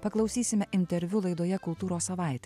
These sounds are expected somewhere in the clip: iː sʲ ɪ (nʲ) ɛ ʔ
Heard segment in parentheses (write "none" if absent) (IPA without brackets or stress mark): mʲ